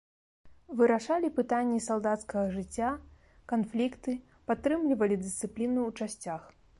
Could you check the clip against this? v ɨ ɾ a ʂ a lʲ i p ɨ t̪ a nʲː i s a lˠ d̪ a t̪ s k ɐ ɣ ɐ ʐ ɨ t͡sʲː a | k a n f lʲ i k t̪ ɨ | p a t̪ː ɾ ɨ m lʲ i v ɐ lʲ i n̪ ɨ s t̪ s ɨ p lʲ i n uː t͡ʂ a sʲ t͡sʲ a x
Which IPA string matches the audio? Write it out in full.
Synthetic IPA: v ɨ ɾ a ʂ a lʲ i p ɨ t̪ a nʲː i s a lˠ d̪ a t̪ s k ɐ ɣ ɐ ʐ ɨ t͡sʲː a | k a n f lʲ i k t̪ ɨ | p a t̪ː ɾ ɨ m lʲ i v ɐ lʲ i d̪ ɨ s t̪ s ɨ p lʲ i n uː t͡ʂ a sʲ t͡sʲ a x